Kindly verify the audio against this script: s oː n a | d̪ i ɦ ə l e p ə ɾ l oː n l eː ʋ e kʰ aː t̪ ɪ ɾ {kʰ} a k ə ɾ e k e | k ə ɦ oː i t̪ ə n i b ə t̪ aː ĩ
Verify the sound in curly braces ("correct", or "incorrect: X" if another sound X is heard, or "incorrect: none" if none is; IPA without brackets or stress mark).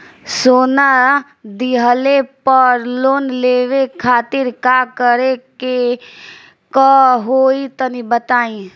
incorrect: k